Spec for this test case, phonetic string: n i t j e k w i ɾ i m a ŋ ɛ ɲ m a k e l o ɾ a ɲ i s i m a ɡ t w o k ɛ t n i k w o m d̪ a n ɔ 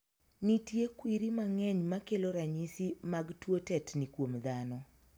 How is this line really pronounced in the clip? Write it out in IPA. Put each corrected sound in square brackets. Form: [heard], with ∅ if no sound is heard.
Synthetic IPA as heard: n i t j e k w i ɾ i m a ŋ ɛ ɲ m a k e l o ɾ a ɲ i s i m a ɡ t w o [t] ɛ t n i k w o m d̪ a n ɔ